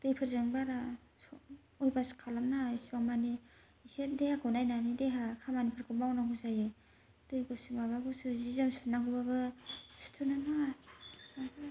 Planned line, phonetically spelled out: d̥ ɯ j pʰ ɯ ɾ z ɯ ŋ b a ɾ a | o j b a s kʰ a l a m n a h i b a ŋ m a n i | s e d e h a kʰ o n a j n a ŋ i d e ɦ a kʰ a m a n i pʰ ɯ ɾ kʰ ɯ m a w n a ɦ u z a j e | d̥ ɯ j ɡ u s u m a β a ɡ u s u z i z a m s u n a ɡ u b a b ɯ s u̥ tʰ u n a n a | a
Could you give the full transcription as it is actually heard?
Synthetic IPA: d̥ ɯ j pʰ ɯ ɾ z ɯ ŋ b a ɾ a | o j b a s kʰ a l a m n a s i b a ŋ m a n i | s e d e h a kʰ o n a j n a n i d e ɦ a kʰ a m a n i pʰ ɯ ɾ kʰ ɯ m a w n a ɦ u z a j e | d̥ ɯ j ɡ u s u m a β a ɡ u s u z i z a m s u n a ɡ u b a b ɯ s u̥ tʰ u n a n a | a